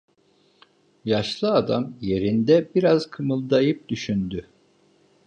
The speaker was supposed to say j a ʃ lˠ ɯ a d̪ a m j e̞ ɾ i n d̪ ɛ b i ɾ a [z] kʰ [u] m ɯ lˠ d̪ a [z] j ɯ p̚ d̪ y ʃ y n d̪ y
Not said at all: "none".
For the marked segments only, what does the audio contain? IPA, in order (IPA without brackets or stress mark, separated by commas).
z, ɯ, none